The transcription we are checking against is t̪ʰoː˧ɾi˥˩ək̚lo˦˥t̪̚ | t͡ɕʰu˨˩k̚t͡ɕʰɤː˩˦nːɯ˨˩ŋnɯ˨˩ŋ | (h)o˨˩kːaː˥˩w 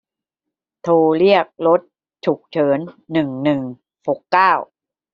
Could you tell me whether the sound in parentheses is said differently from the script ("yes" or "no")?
no